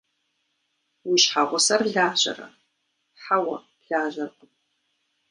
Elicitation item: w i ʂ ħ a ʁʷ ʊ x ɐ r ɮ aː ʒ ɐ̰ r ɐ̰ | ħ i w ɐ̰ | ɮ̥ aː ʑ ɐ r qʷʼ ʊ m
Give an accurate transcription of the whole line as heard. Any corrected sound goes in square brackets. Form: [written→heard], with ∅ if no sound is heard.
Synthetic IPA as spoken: w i [ʂ→ʃ] ħ a ʁʷ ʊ [x→s] ɐ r ɮ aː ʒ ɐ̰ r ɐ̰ | ħ [i→a] w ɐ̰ | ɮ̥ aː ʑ ɐ r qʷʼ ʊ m